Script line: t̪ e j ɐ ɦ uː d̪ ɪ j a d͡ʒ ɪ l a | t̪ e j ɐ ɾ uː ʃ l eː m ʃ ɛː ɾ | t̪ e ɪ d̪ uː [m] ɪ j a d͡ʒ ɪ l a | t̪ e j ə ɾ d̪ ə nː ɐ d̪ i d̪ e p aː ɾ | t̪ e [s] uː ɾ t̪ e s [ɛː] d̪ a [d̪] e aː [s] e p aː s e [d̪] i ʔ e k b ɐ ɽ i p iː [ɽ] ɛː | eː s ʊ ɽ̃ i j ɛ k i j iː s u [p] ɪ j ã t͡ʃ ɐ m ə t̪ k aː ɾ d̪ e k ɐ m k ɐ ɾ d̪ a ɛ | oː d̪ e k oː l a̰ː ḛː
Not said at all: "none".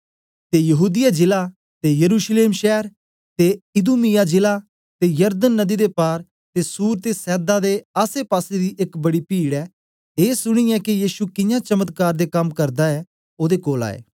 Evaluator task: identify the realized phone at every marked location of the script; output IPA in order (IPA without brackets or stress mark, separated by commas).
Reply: m, s, ɛː, d̪, s, d̪, ɽ, k